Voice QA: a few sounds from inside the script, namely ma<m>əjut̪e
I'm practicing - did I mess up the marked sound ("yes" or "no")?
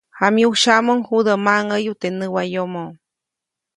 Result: yes